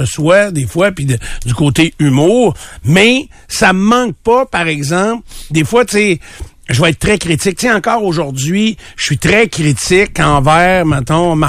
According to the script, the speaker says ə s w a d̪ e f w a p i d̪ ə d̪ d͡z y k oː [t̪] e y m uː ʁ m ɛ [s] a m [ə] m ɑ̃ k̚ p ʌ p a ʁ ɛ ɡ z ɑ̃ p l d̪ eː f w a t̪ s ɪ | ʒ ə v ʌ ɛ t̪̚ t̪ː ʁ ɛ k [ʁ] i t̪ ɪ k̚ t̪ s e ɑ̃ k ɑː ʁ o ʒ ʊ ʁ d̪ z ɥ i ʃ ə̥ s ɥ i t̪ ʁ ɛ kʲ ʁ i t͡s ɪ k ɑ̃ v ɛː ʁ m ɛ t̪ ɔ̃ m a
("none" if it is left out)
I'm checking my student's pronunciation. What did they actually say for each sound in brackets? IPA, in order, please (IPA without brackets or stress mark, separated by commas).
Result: t̪, s, ə, ʁ